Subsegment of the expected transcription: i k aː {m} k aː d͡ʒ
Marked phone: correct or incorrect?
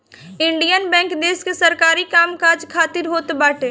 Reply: correct